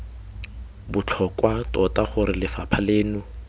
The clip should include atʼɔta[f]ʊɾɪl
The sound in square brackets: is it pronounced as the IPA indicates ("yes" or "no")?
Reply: no